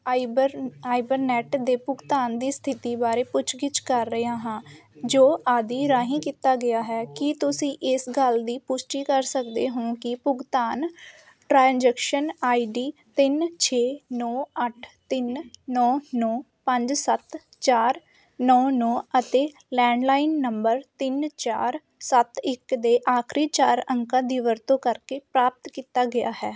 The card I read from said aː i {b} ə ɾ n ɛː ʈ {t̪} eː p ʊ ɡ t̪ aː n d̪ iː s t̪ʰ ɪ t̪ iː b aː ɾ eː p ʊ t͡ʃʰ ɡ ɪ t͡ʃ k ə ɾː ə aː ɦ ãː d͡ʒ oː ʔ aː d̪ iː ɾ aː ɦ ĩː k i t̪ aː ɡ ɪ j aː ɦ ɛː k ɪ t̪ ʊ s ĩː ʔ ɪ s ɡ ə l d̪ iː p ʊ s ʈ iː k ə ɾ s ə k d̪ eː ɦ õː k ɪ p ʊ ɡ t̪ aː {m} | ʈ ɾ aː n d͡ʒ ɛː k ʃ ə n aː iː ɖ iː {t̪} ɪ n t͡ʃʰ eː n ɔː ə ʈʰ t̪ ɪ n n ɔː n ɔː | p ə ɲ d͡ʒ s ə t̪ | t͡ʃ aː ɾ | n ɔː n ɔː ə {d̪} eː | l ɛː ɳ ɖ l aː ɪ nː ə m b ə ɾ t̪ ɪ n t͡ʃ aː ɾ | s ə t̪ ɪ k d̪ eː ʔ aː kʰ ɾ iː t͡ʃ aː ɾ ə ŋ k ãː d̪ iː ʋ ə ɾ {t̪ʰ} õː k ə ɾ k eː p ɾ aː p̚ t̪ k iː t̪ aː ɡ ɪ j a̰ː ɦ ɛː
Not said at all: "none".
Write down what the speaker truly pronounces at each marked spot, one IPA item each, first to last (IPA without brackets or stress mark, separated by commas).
b, d̪, n, t̪, t̪, t̪